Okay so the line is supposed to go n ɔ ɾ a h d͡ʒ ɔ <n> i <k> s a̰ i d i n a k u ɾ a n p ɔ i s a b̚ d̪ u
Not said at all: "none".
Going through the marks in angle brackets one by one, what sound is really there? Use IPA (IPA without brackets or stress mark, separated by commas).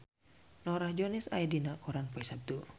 n, none